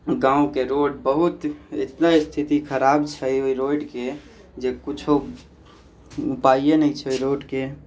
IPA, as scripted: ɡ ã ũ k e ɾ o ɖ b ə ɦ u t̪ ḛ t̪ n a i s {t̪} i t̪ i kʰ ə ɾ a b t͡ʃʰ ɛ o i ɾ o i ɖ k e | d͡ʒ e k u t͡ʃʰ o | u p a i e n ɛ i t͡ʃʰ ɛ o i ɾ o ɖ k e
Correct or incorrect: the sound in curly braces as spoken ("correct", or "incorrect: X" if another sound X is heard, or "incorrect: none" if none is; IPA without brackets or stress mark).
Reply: incorrect: t̪ʰ